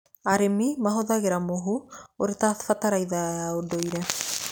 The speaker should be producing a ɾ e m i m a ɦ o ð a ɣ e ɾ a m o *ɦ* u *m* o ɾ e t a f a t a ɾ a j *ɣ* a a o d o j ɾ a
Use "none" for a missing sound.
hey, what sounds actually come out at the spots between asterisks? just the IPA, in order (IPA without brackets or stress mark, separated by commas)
ɦ, none, ð